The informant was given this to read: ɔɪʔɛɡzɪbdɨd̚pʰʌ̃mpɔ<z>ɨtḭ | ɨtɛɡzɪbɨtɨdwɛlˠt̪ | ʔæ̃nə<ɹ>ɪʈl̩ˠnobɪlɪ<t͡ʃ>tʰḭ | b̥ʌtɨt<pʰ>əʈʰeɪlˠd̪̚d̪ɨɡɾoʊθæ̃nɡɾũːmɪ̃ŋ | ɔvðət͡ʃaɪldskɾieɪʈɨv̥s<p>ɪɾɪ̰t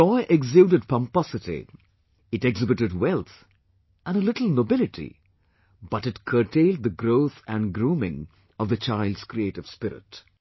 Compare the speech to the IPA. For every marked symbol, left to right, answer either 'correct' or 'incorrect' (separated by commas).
incorrect, incorrect, incorrect, incorrect, correct